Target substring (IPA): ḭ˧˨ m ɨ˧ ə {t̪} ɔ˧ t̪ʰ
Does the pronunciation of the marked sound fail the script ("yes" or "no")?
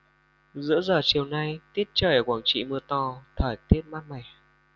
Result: no